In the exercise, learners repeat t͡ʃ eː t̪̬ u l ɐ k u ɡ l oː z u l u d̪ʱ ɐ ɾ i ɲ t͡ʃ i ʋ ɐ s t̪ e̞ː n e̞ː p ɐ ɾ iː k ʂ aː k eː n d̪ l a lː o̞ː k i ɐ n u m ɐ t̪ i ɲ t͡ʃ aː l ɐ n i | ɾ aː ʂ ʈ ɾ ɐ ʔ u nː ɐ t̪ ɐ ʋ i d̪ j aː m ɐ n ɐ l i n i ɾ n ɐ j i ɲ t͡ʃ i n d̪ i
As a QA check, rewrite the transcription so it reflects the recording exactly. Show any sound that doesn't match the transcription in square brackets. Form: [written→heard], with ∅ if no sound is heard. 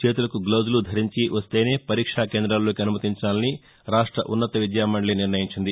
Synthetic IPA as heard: t͡ʃ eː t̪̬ u l ɐ k u ɡ l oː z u l u d̪ʱ ɐ ɾ i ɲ t͡ʃ i ʋ ɐ s t̪ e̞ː n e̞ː p ɐ ɾ iː k ʂ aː k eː n d̪ [l→ɾ] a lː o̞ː k i ɐ n u m ɐ t̪ i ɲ t͡ʃ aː l ɐ n i | ɾ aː ʂ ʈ ɾ ɐ ʔ u nː ɐ t̪ ɐ ʋ i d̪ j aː m ɐ [n→ɳ] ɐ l i n i ɾ n ɐ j i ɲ t͡ʃ i n d̪ i